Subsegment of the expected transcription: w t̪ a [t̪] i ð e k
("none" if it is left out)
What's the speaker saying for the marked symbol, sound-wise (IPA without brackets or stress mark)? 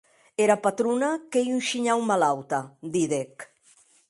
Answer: d̪